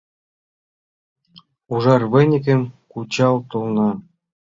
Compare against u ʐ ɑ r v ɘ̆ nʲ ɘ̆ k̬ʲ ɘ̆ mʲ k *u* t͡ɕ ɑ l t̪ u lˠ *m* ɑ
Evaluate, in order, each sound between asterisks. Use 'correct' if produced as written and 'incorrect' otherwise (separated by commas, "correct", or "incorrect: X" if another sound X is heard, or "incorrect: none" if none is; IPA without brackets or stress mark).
correct, incorrect: n